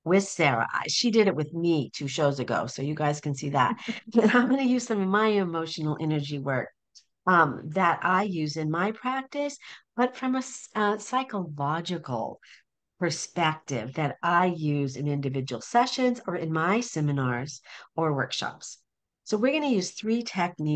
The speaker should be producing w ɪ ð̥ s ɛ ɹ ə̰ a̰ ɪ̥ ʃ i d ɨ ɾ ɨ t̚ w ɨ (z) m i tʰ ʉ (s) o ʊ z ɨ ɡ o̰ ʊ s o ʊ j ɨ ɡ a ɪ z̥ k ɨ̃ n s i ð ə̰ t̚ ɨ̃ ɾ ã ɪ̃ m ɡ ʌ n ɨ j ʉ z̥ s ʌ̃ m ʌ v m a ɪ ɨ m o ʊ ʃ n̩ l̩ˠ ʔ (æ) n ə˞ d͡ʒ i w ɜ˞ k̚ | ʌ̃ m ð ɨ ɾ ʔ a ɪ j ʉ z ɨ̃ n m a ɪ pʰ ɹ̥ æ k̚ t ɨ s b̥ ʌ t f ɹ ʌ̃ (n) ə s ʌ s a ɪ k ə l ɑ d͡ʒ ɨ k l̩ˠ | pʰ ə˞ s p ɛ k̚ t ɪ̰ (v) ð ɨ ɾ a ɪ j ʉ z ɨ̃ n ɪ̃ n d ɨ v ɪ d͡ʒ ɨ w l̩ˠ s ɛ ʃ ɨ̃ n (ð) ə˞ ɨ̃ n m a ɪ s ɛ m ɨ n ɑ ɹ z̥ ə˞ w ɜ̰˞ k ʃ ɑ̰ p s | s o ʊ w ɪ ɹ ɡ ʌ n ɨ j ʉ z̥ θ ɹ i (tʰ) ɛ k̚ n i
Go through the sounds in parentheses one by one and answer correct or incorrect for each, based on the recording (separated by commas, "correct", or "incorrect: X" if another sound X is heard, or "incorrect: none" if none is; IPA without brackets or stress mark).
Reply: incorrect: ð, incorrect: ʃ, incorrect: ɛ, incorrect: m, correct, incorrect: z, correct